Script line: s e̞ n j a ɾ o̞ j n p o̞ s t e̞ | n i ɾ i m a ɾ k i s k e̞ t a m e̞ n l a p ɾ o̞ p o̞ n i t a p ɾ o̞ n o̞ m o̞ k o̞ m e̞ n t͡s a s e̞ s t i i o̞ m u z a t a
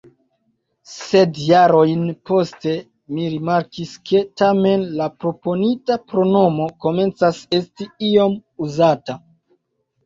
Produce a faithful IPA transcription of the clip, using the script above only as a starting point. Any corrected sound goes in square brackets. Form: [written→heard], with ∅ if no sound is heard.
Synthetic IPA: s e̞ [n→d] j a ɾ o̞ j n p o̞ s t e̞ | [n→m] i ɾ i m a ɾ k i s k e̞ t a m e̞ n l a p ɾ o̞ p o̞ n i t a p ɾ o̞ n o̞ m o̞ k o̞ m e̞ n t͡s a s e̞ s t i i o̞ m u z a t a